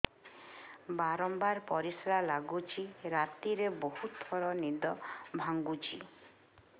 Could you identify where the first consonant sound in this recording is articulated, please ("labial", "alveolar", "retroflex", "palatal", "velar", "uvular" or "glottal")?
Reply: labial